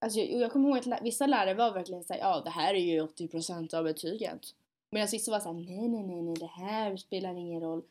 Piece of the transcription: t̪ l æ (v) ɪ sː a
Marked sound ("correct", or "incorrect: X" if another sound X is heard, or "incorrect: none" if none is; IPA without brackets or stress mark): correct